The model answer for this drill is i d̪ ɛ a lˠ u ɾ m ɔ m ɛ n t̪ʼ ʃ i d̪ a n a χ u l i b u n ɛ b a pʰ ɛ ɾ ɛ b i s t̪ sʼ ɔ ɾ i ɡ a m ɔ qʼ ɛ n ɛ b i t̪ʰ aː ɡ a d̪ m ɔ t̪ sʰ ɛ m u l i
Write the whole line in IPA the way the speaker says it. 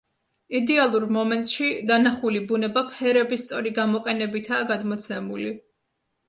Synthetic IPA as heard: i d̪ ɛ a lˠ u ɾ m ɔ m ɛ n t̪ʼ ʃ i d̪ a n a χ u l i b u n ɛ b a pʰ ɛ ɾ ɛ b i s t̪ sʼ ɔ ɾ i ɡ a m ɔ qʼ ɛ n ɛ b i t̪ʰ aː ɡ a d̪ m ɔ t̪ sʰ ɛ m u l i